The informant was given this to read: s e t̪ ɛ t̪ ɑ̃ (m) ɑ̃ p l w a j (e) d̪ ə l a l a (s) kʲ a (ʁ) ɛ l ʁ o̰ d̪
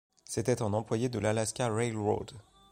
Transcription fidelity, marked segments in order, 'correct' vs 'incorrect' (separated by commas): incorrect, correct, correct, correct